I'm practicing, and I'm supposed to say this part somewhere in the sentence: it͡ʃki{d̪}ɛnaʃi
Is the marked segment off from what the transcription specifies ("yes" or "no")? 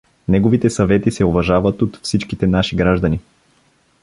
yes